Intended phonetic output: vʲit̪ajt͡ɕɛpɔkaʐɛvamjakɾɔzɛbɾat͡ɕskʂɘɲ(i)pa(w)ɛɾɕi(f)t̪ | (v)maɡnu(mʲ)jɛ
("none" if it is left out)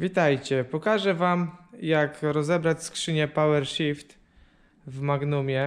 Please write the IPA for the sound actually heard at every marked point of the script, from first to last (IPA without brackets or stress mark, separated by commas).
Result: ɛ, w, f, v, mʲ